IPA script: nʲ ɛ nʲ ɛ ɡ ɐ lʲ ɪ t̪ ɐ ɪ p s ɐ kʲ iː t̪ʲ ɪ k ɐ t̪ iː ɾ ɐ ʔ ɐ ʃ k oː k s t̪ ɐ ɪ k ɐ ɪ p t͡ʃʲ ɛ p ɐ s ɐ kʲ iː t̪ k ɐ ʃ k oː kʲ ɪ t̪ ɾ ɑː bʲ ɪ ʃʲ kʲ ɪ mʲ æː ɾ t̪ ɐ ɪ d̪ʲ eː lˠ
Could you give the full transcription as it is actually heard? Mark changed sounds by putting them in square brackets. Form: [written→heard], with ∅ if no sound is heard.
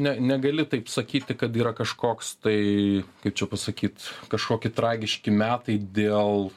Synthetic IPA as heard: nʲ ɛ nʲ ɛ ɡ ɐ lʲ ɪ t̪ ɐ ɪ p s ɐ kʲ iː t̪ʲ ɪ k ɐ t̪ iː ɾ ɐ [ʔ→k] ɐ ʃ k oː k s t̪ ɐ ɪ k ɐ ɪ p t͡ʃʲ ɛ p ɐ s ɐ kʲ iː t̪ k ɐ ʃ k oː kʲ ɪ t̪ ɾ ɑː [bʲ→ɡʲ] ɪ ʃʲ kʲ ɪ mʲ æː [ɾ→∅] t̪ ɐ ɪ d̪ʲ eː lˠ